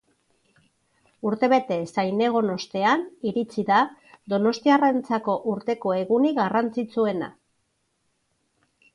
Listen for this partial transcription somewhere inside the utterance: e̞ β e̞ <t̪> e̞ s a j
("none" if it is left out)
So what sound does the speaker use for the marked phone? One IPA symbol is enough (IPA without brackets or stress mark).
t̪